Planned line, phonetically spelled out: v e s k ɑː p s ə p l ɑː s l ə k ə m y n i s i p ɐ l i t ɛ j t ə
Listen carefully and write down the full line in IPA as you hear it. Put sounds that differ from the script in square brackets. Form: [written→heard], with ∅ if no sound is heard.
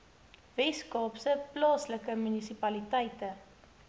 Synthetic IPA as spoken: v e s k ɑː p s ə p l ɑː s l ə k ə m y n i s i p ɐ l i t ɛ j t ə